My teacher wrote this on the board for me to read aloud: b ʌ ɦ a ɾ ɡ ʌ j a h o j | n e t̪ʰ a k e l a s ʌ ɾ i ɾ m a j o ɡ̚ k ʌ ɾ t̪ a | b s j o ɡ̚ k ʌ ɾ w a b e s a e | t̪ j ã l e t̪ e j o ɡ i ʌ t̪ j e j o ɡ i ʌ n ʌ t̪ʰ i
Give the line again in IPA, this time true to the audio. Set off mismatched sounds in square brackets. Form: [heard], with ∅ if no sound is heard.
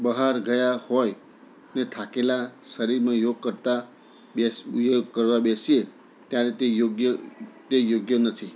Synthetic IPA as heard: b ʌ ɦ a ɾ ɡ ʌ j a h o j | n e t̪ʰ a k e l a s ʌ ɾ i ɾ m a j o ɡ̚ k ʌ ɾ t̪ a | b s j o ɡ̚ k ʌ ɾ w a b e s [i] e | t̪ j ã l e t̪ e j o ɡ [j] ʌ t̪ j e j o ɡ [j] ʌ n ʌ t̪ʰ i